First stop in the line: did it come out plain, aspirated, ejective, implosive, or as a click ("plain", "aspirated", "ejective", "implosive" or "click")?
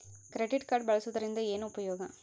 plain